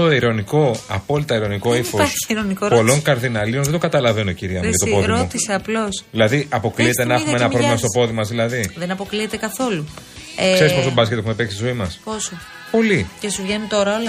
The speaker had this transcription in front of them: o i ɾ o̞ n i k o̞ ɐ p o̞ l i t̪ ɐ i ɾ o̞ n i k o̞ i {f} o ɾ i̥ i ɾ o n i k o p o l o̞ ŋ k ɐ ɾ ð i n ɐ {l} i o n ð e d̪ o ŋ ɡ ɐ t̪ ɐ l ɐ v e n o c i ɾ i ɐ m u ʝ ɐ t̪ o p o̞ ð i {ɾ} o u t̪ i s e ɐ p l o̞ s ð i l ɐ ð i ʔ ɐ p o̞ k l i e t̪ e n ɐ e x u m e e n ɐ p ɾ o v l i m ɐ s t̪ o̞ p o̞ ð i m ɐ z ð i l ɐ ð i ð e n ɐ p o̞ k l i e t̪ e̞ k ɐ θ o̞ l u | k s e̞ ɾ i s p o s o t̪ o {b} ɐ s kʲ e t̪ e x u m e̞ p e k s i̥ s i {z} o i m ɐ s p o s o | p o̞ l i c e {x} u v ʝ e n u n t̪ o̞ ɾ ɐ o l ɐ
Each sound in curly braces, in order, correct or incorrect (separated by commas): correct, correct, correct, correct, correct, incorrect